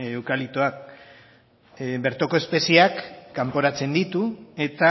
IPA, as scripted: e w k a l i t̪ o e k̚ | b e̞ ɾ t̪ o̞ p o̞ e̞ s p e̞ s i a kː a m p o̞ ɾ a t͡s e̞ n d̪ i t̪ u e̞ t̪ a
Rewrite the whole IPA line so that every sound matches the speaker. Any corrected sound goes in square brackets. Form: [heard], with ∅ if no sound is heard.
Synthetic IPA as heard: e w k a l i t̪ o [a] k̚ | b e̞ ɾ t̪ o̞ [k] o̞ e̞ s p e̞ s i a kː a m p o̞ ɾ a t͡s e̞ n d̪ i t̪ u e̞ t̪ a

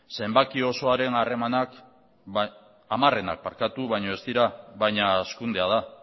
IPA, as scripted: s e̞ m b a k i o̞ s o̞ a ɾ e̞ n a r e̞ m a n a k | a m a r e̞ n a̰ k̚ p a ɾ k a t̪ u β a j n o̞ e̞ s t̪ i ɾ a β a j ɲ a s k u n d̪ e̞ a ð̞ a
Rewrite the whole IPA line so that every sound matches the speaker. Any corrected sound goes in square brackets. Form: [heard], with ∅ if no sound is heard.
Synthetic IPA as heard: s e̞ m b a k i o̞ s o̞ a ɾ e̞ n a r e̞ m a n a k | a m a r e̞ n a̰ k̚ p a ɾ k a t̪ u β a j [ɲ] o̞ e̞ s t̪ i ɾ a β a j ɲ a s k u n d̪ e̞ a ð̞ a

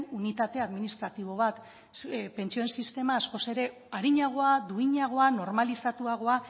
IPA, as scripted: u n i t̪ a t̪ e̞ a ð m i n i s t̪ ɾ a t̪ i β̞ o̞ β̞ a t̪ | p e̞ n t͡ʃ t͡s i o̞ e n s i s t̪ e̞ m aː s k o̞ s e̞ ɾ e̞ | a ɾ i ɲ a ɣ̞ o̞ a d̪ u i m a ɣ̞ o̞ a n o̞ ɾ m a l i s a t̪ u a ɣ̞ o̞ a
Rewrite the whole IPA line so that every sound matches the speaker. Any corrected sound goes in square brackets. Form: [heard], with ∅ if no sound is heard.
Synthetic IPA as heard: u n i t̪ a t̪ e̞ a ð m i n i s t̪ ɾ a t̪ i β̞ o̞ β̞ a t̪ | p e̞ n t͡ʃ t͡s i o̞ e n s i s t̪ e̞ m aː s k o̞ s e̞ ɾ e̞ | a ɾ i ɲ a ɣ̞ o̞ a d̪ u i [ɲ] a ɣ̞ o̞ a n o̞ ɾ m a l i s a t̪ u a ɣ̞ o̞ a

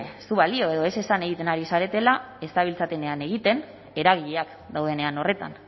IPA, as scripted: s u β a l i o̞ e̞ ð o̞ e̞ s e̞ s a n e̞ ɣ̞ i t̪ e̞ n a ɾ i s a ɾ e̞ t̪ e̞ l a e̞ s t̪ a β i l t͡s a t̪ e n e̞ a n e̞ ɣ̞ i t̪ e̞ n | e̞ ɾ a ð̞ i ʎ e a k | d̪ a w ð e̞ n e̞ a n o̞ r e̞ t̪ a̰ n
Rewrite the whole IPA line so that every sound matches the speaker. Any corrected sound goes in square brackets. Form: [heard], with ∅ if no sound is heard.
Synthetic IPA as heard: s u β a l i o̞ e̞ ð o̞ e̞ s e̞ s a n e̞ ɣ̞ i t̪ e̞ n a ɾ i s a ɾ e̞ t̪ e̞ l a e̞ s t̪ a β i l t͡s a t̪ e n e̞ a n e̞ ɣ̞ i t̪ e̞ n | e̞ ɾ a [ɣ̞] i ʎ e a k | d̪ a w ð e̞ n e̞ a n o̞ r e̞ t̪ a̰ n

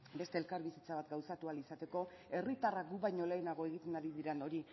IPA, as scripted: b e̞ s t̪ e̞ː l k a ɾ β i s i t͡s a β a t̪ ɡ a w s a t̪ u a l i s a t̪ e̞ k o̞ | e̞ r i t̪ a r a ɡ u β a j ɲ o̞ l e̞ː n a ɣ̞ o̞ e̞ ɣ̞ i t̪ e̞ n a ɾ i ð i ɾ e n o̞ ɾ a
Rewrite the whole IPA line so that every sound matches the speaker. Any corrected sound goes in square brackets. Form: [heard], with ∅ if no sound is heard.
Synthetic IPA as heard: b e̞ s t̪ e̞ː l k a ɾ β i s i t͡s a β a t̪ ɡ a w s a t̪ u a l i s a t̪ e̞ k o̞ | e̞ r i t̪ a r a ɡ u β a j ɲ o̞ l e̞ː n a ɣ̞ o̞ e̞ ɣ̞ i t̪ e̞ n a ɾ i ð i ɾ e n o̞ ɾ [i]

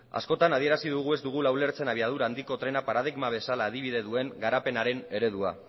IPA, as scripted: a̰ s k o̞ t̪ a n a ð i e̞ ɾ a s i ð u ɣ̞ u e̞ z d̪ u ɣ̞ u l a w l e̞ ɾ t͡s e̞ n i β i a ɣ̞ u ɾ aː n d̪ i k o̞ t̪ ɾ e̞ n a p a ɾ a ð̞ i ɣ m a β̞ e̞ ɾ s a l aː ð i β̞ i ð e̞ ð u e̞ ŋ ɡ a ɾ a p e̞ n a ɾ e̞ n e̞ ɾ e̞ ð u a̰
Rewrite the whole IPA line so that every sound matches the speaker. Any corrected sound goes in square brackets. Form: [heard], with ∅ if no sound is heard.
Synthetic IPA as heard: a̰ s k o̞ t̪ a n a ð i e̞ ɾ a s i ð u ɣ̞ u e̞ z d̪ u ɣ̞ u l a w l e̞ ɾ t͡s e̞ n [a] β i a [ð̞] u ɾ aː n d̪ i k o̞ t̪ ɾ e̞ n a p a ɾ a ð̞ i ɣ m a β̞ e̞ [∅] s a l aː ð i β̞ i ð e̞ ð u e̞ ŋ ɡ a ɾ a p e̞ n a ɾ e̞ n e̞ ɾ e̞ ð u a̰

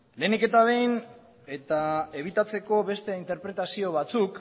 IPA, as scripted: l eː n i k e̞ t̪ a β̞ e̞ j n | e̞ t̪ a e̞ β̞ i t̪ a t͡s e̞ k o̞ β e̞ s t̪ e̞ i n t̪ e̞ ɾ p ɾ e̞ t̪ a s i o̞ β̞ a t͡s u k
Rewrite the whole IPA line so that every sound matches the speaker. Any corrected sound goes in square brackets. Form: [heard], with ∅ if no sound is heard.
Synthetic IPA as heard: l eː n i k e̞ t̪ a β̞ e̞ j n | e̞ t̪ a e̞ β̞ i t̪ a t͡s e̞ k o̞ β e̞ s t̪ e̞ i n t̪ e̞ ɾ p ɾ e̞ t̪ a s i o̞ β̞ a t͡s u k

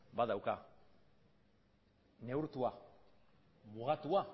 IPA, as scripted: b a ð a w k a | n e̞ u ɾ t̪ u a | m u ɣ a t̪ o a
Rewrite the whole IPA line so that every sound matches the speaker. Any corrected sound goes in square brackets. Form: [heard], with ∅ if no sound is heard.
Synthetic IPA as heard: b a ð a w k a | n e̞ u ɾ t̪ u a | m u ɣ a t̪ [u] a

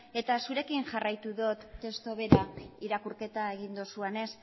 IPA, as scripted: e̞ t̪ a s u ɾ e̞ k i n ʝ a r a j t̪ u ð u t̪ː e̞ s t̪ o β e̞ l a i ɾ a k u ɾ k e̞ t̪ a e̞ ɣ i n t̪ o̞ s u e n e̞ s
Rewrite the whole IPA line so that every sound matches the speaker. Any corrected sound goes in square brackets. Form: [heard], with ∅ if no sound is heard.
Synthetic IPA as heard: e̞ t̪ a s u ɾ e̞ k i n ʝ a r a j t̪ u ð [o] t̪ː e̞ s t̪ o β e̞ [ɾ] a i ɾ a k u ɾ k e̞ t̪ a e̞ ɣ i n [d̪] o̞ s u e n e̞ s

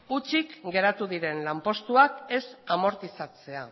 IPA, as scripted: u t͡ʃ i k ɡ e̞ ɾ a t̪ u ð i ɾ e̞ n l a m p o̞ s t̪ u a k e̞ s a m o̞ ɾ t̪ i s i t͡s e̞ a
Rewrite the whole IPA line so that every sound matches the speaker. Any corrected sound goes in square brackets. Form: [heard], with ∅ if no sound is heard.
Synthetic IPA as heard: u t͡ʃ i k ɡ e̞ ɾ a t̪ u ð i ɾ e̞ n l a m p o̞ s t̪ u a k e̞ s a m o̞ ɾ t̪ i s [a] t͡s e̞ a

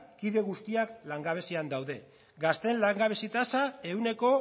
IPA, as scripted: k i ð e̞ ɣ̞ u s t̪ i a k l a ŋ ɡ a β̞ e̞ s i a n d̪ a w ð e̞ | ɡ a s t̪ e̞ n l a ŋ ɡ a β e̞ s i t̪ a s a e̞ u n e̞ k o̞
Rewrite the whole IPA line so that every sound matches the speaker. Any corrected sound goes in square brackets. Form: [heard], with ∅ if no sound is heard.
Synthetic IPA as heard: k i ð e̞ ɣ̞ u s t̪ i a k l a ŋ ɡ a β̞ e̞ s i a n d̪ a w ð e̞ | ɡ a s t̪ e̞ n l a ŋ ɡ a β e̞ s i t̪ a s a e̞ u n e̞ k o̞

